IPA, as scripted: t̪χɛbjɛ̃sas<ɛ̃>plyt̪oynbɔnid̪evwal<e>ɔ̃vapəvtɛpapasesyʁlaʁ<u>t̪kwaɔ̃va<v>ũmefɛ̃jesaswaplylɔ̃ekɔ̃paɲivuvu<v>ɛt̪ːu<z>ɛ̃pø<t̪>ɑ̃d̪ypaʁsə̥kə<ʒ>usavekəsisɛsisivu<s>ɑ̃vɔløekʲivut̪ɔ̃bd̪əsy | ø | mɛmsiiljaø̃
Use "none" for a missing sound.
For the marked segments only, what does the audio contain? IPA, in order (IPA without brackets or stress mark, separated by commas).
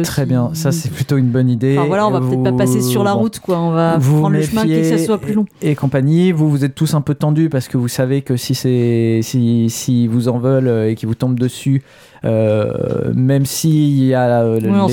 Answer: ɛ, a, u, v, z, s, t̪, v, z